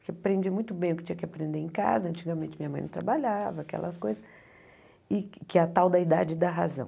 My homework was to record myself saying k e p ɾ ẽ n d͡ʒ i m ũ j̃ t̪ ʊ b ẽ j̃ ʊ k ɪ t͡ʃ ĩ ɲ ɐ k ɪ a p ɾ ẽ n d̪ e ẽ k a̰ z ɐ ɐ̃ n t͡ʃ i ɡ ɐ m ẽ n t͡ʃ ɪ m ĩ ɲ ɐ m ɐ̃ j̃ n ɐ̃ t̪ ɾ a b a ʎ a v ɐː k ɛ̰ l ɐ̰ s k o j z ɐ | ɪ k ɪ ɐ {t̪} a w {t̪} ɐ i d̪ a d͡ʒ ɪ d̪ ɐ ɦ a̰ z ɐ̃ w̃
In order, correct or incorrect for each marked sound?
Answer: correct, incorrect

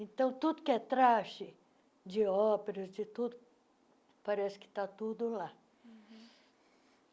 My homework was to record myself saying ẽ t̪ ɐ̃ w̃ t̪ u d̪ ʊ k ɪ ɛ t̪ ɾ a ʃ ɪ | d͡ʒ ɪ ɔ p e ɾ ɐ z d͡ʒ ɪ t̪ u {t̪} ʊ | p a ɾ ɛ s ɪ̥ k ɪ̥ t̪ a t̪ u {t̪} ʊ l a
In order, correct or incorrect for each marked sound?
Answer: incorrect, incorrect

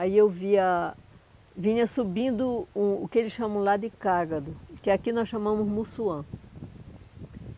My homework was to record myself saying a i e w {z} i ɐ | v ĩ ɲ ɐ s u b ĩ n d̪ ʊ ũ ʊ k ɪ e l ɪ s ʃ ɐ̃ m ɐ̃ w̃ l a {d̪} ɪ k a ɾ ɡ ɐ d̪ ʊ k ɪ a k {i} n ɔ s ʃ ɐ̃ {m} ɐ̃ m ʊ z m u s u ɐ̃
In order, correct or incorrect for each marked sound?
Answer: incorrect, correct, correct, correct

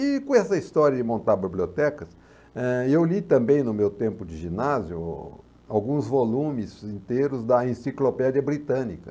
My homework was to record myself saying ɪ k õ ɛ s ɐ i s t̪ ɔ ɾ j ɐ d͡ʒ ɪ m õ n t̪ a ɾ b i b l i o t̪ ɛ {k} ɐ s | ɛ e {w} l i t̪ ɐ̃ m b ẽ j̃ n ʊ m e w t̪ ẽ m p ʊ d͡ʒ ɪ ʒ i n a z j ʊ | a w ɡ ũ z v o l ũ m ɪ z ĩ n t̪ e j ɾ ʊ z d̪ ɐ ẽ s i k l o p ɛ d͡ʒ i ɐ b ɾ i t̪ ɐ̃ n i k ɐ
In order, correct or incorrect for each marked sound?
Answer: correct, correct

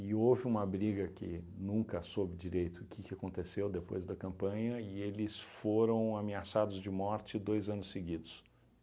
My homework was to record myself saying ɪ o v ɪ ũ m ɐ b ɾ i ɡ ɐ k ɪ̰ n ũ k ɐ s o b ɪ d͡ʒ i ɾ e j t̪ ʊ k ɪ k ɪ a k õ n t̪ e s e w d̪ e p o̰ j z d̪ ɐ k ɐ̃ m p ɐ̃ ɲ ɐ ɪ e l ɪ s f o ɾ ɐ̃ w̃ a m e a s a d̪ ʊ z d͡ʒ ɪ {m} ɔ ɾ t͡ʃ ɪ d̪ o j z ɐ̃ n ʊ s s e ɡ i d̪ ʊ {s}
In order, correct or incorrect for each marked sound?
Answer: correct, correct

